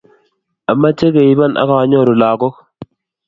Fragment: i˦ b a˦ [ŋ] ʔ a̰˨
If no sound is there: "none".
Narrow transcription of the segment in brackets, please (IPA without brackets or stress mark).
n